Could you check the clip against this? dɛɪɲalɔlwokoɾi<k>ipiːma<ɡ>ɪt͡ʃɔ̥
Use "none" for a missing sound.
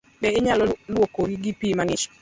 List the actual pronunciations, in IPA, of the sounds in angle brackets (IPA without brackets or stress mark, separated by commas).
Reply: ɡ, ŋ